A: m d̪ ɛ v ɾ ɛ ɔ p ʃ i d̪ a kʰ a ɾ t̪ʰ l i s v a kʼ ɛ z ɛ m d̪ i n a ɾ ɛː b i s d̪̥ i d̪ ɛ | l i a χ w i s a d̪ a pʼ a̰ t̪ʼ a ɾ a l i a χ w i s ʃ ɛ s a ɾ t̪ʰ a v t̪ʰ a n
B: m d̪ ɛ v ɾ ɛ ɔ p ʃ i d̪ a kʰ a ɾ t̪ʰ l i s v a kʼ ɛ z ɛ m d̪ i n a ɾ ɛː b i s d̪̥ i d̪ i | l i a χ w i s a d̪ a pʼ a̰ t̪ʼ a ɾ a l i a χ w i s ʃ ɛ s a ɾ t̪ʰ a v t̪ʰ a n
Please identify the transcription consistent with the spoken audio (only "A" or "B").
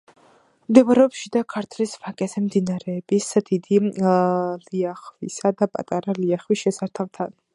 B